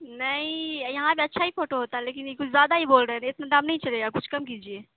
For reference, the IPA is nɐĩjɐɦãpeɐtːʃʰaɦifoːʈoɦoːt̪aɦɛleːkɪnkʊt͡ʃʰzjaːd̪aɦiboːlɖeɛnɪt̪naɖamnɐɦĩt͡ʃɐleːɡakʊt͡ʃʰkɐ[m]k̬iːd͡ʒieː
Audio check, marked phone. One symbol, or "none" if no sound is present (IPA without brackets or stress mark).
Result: m